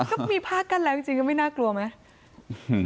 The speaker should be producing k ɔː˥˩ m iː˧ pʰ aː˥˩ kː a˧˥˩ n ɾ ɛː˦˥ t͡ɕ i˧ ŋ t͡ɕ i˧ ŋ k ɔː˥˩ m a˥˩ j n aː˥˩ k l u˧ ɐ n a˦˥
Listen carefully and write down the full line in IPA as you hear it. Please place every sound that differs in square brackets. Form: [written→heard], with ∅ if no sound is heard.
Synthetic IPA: k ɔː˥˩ m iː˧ pʰ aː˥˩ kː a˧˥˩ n [ɾ→l] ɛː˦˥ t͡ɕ i˧ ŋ t͡ɕ i˧ ŋ k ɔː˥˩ m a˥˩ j n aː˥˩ k l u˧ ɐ [n→m] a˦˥

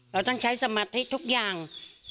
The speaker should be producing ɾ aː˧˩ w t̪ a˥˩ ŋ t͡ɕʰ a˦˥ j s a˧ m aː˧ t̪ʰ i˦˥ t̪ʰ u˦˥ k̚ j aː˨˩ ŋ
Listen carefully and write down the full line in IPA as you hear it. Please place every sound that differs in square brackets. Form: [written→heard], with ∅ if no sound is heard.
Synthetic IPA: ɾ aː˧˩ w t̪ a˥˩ ŋ t͡ɕʰ a˦˥ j s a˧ m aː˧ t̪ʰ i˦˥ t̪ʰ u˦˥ k̚ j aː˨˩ ŋ

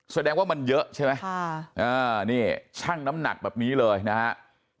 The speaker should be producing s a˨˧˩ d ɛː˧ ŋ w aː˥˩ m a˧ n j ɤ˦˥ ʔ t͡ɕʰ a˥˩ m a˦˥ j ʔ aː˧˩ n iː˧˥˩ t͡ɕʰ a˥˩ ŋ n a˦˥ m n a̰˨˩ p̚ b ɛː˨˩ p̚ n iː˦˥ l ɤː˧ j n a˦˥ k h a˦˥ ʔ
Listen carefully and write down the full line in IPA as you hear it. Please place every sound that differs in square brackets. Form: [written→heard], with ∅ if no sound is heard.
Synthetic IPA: s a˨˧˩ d ɛː˧ ŋ w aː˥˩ m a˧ n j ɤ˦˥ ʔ t͡ɕʰ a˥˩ m a˦˥ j ʔ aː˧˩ n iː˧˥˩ t͡ɕʰ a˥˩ ŋ n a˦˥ m n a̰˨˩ [p̚→k̚] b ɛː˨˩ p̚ n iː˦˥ l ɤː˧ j n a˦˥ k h a˦˥ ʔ

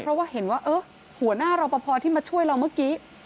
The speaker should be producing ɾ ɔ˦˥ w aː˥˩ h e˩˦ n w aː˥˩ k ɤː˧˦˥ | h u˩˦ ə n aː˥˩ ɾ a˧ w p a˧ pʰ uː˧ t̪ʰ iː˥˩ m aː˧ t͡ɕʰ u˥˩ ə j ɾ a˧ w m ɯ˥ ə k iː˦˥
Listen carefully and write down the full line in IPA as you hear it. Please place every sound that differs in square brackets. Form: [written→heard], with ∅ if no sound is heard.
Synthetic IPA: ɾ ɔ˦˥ w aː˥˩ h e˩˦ n w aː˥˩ [k→ʔ] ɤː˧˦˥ | h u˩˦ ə n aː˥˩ ɾ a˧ w p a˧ pʰ [uː˧→ɔː˧] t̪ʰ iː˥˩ m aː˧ t͡ɕʰ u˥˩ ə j ɾ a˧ w m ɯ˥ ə k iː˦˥

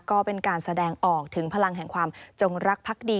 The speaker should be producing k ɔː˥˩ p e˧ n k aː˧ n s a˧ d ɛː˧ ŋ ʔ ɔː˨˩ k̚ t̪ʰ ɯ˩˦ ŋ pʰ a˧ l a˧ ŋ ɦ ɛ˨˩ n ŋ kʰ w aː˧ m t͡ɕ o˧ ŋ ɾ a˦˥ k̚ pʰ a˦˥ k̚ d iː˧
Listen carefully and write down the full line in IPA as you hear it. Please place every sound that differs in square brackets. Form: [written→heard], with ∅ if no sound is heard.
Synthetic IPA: k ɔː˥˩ p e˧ n k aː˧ n s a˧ d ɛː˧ ŋ ʔ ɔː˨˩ k̚ t̪ʰ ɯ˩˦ ŋ pʰ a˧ l a˧ ŋ ɦ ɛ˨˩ [n→∅] ŋ kʰ w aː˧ m t͡ɕ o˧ ŋ ɾ a˦˥ k̚ pʰ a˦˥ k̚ d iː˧

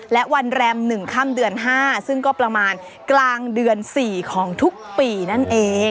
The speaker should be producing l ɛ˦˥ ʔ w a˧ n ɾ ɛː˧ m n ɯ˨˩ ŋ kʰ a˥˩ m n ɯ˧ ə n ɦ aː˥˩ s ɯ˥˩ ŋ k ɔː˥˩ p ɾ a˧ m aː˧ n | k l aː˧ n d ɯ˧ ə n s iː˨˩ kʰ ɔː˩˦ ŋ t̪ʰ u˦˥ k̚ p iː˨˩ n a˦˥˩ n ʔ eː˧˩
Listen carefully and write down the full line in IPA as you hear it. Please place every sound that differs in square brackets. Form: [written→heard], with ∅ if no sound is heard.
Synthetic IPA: l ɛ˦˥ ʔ w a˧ n ɾ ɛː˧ m n ɯ˨˩ ŋ kʰ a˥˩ m [n→d] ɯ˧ ə n ɦ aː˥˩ s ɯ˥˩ ŋ k ɔː˥˩ p ɾ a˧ m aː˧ n | k l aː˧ [n→ŋ] d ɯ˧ ə n s iː˨˩ kʰ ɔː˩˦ ŋ t̪ʰ u˦˥ k̚ p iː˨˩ n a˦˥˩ n ʔ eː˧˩

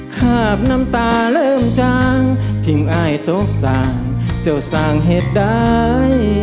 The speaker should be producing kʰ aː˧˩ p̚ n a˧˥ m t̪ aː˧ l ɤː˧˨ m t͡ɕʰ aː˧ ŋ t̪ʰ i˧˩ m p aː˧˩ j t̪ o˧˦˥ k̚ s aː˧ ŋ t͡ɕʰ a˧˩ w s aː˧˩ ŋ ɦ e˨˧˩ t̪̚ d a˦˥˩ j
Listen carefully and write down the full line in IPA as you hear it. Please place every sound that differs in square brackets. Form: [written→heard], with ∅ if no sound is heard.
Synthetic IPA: kʰ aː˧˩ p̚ n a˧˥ m t̪ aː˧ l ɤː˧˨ m [t͡ɕʰ→t͡ɕ] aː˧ ŋ t̪ʰ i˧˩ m [p→ʔ] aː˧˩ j t̪ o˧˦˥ k̚ s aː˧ ŋ [t͡ɕʰ→t͡ɕ] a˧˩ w s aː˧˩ ŋ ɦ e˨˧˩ t̪̚ d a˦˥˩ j

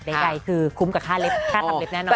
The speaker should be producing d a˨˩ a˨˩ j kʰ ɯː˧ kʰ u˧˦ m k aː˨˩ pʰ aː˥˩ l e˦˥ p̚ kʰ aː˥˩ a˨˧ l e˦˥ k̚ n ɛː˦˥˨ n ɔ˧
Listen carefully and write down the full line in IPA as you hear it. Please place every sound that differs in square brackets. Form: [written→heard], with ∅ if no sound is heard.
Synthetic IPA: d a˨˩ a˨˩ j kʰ ɯː˧ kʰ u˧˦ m k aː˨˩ [pʰ→kʰ] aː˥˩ l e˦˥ p̚ kʰ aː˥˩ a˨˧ l e˦˥ [k̚→p̚] n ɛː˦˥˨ n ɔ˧

